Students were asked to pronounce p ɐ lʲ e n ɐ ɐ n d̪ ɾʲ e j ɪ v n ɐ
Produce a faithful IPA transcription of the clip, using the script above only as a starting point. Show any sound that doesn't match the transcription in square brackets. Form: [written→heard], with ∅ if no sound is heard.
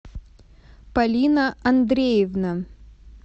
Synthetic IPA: p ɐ lʲ [e→i] n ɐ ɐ n d̪ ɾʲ e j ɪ v n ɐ